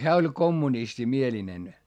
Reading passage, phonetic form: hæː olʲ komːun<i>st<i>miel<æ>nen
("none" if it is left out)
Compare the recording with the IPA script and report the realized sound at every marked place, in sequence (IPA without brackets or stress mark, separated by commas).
i, i, i